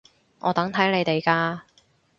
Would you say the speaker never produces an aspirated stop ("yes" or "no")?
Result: no